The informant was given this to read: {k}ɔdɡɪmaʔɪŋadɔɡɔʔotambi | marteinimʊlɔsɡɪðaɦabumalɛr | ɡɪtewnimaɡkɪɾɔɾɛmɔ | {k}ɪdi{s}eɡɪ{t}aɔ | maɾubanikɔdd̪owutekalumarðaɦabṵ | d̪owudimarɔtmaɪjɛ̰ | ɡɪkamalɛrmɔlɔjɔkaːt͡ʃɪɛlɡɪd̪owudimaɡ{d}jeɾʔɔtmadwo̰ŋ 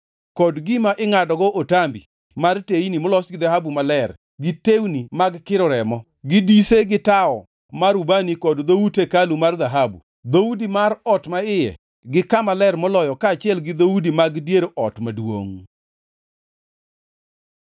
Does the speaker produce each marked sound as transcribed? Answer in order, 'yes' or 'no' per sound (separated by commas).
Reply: yes, no, yes, yes, yes